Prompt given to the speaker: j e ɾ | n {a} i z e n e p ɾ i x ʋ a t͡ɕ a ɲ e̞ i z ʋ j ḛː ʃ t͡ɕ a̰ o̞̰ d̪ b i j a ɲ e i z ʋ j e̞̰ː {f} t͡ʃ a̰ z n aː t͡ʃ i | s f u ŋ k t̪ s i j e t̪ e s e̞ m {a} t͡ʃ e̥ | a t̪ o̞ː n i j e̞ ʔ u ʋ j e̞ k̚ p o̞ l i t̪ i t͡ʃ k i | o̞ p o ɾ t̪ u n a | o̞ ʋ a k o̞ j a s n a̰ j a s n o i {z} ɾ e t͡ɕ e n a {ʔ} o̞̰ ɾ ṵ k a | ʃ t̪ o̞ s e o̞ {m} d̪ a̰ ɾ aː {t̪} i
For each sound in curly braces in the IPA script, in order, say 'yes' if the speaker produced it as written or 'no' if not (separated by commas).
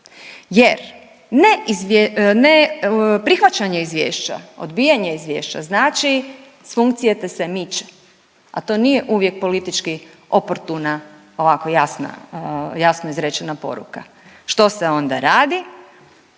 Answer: no, no, no, yes, no, no, no